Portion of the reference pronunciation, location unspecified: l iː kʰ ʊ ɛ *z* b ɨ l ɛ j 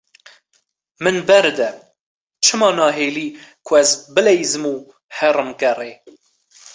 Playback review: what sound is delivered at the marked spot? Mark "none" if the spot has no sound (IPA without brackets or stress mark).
z